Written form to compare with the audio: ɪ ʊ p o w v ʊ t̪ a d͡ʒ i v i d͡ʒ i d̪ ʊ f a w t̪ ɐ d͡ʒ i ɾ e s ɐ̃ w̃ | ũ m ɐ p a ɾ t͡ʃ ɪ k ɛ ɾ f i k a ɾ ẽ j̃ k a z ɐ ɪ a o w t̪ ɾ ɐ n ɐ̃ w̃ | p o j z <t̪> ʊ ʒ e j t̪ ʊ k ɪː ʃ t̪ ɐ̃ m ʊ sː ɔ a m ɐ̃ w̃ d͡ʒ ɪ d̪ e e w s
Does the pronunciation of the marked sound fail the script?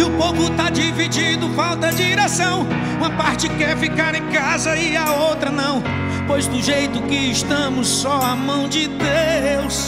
yes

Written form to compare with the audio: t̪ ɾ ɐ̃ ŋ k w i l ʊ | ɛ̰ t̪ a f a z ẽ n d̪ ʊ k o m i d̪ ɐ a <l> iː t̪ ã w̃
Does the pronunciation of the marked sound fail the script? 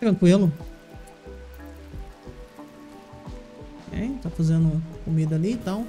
no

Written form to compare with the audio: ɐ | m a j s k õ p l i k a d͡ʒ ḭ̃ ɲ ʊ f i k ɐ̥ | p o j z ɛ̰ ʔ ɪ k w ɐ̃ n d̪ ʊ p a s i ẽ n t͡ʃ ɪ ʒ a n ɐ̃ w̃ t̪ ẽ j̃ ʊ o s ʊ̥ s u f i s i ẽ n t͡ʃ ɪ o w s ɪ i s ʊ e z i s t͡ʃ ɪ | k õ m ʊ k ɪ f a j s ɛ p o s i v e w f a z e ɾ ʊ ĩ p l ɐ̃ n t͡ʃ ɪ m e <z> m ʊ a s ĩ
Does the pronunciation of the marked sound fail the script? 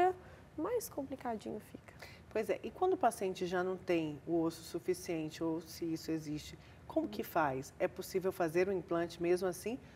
no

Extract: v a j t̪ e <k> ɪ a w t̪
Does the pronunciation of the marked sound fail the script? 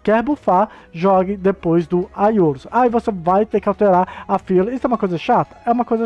no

